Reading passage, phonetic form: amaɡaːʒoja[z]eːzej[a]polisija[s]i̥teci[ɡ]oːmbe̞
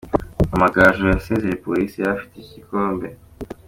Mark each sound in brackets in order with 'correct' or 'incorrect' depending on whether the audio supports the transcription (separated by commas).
incorrect, incorrect, incorrect, incorrect